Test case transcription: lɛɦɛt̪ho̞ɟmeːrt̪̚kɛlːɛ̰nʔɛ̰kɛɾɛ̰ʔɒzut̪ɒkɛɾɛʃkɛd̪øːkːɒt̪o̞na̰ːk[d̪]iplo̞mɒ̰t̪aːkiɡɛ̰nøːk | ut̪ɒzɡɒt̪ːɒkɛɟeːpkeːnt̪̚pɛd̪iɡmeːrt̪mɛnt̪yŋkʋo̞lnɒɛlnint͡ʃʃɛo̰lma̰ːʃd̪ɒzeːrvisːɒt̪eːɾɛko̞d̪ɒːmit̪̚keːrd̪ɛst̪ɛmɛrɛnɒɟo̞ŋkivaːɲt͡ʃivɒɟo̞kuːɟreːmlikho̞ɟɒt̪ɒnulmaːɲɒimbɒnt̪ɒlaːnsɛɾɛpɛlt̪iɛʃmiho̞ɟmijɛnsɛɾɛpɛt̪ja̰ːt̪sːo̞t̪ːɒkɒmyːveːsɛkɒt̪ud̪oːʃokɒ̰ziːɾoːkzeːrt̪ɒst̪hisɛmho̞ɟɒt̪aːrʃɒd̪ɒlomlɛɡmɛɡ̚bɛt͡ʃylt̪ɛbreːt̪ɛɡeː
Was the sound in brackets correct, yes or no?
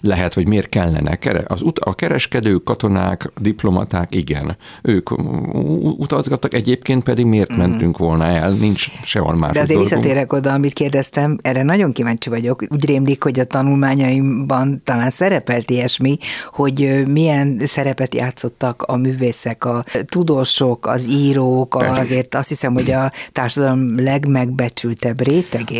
yes